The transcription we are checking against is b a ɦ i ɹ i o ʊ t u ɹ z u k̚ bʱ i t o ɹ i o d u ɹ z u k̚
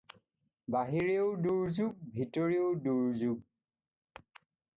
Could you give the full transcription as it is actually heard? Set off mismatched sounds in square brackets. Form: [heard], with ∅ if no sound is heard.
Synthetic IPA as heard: b a ɦ i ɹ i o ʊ [d] u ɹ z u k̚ bʱ i t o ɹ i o d u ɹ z u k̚